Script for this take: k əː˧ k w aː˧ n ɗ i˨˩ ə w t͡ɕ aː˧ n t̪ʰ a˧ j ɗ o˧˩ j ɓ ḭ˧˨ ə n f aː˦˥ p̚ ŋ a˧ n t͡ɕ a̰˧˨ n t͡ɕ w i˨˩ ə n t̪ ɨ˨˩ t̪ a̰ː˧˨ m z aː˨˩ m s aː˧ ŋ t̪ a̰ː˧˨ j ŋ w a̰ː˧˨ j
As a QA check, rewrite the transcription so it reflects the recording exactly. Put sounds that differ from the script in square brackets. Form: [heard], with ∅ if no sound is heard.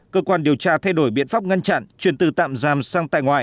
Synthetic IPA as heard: k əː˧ k w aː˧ n ɗ i˨˩ ə w t͡ɕ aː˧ [∅] t̪ʰ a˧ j ɗ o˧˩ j ɓ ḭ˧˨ ə n f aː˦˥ p̚ ŋ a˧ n t͡ɕ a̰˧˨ n t͡ɕ w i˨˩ ə n t̪ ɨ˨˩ t̪ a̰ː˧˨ m z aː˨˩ m s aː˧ ŋ t̪ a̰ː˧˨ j ŋ w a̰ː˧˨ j